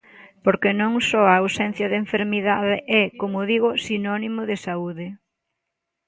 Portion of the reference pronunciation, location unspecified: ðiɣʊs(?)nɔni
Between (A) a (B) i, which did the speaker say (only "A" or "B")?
B